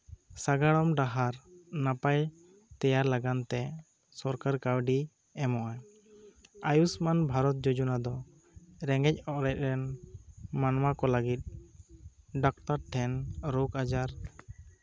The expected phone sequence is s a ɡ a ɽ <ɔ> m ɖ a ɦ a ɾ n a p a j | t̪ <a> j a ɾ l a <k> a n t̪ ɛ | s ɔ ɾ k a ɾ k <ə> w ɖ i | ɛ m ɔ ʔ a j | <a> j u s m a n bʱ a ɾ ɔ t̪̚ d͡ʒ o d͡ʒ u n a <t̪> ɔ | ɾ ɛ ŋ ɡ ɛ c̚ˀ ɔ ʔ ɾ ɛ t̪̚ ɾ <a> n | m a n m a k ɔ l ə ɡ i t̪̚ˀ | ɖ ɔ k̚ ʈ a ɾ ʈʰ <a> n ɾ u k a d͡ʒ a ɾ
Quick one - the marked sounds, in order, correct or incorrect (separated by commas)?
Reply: correct, incorrect, incorrect, incorrect, correct, incorrect, incorrect, incorrect